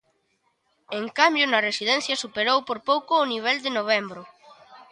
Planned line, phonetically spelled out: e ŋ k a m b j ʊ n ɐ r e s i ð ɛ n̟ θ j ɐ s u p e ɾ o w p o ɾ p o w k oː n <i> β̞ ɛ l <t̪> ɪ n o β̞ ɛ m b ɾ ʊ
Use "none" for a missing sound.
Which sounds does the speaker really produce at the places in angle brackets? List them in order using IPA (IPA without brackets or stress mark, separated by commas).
i, d̪